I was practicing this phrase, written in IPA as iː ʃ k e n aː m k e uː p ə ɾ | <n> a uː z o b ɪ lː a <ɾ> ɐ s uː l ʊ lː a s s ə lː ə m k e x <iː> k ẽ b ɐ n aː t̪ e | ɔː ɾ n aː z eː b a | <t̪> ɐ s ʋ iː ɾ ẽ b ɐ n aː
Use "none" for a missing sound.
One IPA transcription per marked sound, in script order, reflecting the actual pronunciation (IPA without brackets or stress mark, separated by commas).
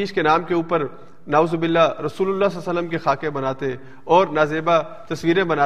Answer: n, ɾ, aː, t̪